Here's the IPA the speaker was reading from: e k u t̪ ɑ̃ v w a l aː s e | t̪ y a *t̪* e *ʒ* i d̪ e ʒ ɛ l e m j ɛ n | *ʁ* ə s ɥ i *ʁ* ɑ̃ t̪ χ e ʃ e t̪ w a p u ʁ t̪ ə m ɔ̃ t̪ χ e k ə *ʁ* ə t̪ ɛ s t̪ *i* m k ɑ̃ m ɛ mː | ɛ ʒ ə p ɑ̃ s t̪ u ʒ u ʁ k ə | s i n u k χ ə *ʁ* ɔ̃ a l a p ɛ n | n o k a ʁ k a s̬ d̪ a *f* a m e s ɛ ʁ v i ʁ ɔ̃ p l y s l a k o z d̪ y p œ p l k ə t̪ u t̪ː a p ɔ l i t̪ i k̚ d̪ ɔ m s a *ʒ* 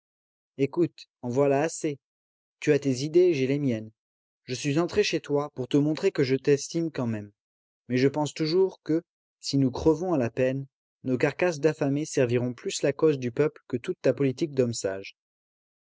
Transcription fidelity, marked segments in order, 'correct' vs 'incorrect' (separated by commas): correct, incorrect, incorrect, incorrect, incorrect, correct, incorrect, correct, correct